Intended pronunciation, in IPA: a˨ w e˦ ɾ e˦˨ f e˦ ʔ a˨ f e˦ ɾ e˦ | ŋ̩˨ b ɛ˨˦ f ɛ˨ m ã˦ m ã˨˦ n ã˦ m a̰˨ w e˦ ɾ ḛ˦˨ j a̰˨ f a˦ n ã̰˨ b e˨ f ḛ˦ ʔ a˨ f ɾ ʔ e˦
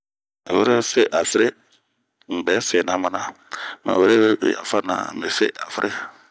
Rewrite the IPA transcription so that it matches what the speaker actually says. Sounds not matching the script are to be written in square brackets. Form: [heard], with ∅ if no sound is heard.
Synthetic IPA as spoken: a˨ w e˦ ɾ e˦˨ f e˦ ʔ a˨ f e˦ ɾ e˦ | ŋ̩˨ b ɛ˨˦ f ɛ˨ [n] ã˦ m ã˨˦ n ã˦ m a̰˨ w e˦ ɾ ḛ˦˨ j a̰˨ f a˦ n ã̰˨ [m] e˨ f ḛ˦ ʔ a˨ f ɾ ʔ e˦